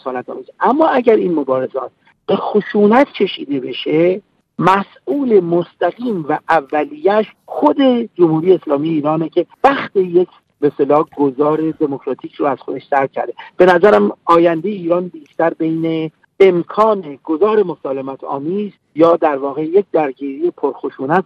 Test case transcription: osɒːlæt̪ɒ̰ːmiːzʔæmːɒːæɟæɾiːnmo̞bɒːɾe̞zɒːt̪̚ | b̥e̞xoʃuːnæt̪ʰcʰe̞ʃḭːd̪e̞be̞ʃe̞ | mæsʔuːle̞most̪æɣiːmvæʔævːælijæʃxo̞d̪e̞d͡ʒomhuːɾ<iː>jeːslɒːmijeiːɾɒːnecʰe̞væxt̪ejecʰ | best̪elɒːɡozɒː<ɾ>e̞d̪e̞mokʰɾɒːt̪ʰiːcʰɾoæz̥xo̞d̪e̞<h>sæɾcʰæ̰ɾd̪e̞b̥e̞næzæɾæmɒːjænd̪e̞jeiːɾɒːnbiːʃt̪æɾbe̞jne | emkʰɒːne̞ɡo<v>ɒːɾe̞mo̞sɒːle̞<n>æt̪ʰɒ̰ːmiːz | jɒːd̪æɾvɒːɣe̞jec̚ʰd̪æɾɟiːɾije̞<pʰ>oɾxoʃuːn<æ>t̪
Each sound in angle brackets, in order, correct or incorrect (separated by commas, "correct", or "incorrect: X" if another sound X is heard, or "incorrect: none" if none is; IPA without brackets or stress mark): incorrect: i, correct, incorrect: ʃ, incorrect: z, incorrect: m, correct, correct